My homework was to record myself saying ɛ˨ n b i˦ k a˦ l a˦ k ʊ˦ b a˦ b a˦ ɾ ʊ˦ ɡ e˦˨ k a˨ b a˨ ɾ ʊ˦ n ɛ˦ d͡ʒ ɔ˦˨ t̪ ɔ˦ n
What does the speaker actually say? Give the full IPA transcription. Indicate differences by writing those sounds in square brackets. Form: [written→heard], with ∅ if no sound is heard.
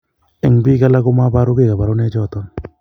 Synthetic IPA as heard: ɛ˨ [n→ŋ] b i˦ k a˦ l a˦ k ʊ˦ [b→m] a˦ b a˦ ɾ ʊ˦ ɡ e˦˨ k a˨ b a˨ ɾ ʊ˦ n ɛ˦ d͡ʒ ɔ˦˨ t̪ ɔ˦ n